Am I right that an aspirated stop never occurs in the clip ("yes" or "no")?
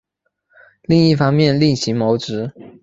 yes